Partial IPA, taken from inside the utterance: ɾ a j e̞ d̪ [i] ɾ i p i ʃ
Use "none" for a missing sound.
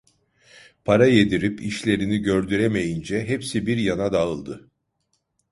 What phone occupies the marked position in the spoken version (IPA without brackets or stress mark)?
i